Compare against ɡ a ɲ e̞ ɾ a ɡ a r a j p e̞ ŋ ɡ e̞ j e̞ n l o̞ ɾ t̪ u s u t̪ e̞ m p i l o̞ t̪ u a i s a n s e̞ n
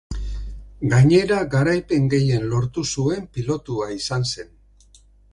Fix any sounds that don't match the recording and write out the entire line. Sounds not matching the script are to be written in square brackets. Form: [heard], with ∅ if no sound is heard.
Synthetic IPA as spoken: ɡ a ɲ e̞ ɾ a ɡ a [ɾ] a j p e̞ ŋ ɡ e̞ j e̞ n l o̞ ɾ t̪ u s u [∅] e̞ m p i l o̞ t̪ u a i s a n s e̞ n

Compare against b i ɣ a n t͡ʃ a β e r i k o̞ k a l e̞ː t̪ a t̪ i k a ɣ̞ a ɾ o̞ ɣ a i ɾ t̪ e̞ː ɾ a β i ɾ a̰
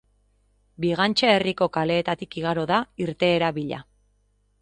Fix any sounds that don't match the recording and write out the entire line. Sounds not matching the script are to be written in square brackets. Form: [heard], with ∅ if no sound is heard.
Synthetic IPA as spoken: b i ɣ a n t͡ʃ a [∅] e r i k o̞ k a l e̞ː t̪ a t̪ i k [i] ɣ̞ a ɾ o̞ [ð] a i ɾ t̪ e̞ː ɾ a β i [ʎ] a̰

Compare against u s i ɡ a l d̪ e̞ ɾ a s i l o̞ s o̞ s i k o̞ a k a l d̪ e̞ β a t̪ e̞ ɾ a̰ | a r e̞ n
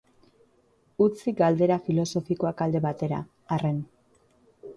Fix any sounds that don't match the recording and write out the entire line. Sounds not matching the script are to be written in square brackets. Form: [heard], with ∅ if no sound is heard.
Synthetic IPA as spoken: u [t͡s] i ɡ a l d̪ e̞ ɾ a [f] i l o̞ s o̞ [f] i k o̞ a k a l d̪ e̞ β a t̪ e̞ ɾ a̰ | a r e̞ n

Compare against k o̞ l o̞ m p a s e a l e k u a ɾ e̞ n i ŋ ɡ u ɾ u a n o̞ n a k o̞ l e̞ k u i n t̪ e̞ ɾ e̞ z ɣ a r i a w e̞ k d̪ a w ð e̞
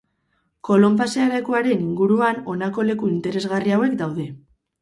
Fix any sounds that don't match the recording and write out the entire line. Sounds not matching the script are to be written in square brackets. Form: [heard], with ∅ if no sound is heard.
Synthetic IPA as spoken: k o̞ l o̞ m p a s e a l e k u a ɾ e̞ n i ŋ ɡ u ɾ u a n o̞ n a k o̞ l e̞ k u i n t̪ e̞ ɾ e̞ z ɣ a r i a w e̞ k d̪ a w ð e̞

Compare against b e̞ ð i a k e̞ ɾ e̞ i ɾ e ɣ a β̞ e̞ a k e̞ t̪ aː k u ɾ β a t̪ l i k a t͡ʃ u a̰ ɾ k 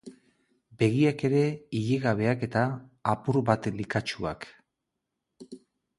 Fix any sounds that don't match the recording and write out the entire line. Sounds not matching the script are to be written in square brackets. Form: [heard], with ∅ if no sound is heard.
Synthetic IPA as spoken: b e̞ [ɣ] i a k e̞ ɾ e̞ i [ʎ] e ɣ a β̞ e̞ a k e̞ t̪ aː [p] u ɾ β a t̪ l i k a t͡ʃ u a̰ [∅] k

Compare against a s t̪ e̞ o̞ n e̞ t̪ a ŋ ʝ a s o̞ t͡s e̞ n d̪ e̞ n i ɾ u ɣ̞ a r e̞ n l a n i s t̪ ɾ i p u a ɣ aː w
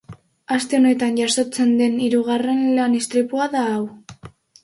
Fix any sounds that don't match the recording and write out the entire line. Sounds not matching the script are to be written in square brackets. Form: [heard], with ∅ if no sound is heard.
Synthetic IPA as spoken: a s t̪ e̞ o̞ n e̞ t̪ a [n] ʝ a s o̞ t͡s e̞ n d̪ e̞ n i ɾ u ɣ̞ a r e̞ n l a n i s t̪ ɾ i p u a [ð] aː w

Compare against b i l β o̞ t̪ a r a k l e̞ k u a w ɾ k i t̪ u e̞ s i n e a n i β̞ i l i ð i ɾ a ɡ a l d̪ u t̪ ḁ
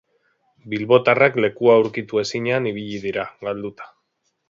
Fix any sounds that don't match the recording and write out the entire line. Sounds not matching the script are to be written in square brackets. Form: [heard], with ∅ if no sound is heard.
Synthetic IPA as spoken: b i l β o̞ t̪ a r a k l e̞ k u a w ɾ k i t̪ u e̞ s i [ɲ] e a n i β̞ i [ʎ] i ð i ɾ a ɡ a l d̪ u t̪ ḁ

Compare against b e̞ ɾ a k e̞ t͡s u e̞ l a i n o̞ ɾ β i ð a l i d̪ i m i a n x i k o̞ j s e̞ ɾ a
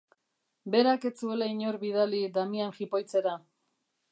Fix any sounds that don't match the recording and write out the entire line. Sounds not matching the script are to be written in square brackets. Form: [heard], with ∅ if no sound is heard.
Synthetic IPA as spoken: b e̞ ɾ a k e̞ t͡s u e̞ l a i [ɲ] o̞ ɾ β i ð a l i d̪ [a] m i a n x i [p] o̞ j [t͡s] e̞ ɾ a

